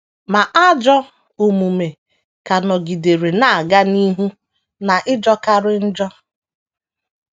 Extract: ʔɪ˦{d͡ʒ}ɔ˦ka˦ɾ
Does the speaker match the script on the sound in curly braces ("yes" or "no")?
yes